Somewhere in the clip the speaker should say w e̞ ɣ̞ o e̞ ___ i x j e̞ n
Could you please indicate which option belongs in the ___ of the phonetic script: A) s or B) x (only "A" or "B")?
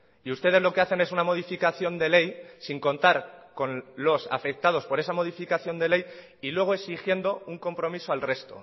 A